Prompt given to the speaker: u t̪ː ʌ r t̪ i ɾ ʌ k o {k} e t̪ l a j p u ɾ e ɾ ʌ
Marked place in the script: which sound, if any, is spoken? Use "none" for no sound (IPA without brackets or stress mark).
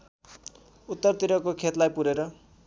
kʰ